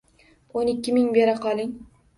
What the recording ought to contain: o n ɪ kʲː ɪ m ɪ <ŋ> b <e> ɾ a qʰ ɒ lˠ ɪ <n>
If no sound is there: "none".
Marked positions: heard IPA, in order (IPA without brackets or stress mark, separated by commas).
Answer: ŋ, e, ŋ